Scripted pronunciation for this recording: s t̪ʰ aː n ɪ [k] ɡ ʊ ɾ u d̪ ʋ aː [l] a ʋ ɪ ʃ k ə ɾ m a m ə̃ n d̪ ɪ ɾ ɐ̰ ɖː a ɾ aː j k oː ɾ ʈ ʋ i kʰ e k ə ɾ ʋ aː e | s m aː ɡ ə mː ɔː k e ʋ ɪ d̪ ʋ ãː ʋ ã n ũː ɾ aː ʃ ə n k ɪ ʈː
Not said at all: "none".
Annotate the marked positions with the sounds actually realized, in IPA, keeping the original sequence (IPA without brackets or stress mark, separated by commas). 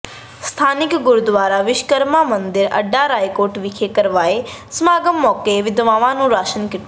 k, ɾ